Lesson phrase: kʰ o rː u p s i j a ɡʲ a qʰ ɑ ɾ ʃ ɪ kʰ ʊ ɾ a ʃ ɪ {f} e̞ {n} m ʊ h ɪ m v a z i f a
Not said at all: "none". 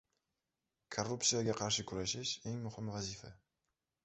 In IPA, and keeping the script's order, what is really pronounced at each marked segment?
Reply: ʃ, ŋ

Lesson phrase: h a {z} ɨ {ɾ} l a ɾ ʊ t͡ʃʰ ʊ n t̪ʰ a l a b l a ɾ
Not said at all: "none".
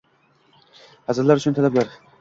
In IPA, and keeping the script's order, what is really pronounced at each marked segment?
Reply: z, ɾ

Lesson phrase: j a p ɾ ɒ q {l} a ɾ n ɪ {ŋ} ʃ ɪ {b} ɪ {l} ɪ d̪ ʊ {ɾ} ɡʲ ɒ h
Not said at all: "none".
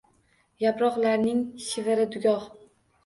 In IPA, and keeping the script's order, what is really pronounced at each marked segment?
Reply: l, ŋ, v, ɾ, none

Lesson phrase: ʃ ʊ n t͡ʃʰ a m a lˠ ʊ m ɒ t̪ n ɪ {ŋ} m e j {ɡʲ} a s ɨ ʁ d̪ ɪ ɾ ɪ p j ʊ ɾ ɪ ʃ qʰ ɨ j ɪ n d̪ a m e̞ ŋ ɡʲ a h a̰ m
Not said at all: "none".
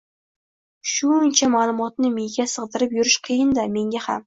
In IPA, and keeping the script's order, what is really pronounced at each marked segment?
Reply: none, ɡʲ

